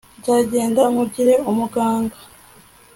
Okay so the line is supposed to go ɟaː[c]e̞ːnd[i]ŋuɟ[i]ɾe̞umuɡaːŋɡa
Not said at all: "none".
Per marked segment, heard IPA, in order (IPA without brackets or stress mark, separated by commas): ɟ, a, i